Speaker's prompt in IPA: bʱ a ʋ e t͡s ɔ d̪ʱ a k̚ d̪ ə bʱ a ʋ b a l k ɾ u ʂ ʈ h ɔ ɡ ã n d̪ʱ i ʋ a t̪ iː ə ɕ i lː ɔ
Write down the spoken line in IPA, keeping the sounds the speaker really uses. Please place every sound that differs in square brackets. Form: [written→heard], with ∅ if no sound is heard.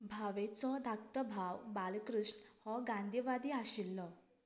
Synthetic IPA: bʱ a ʋ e t͡s ɔ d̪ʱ a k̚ [d̪→t̪] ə bʱ a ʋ b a l k ɾ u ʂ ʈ h ɔ ɡ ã n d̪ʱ i ʋ a [t̪→d̪] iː [ə→a] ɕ i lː ɔ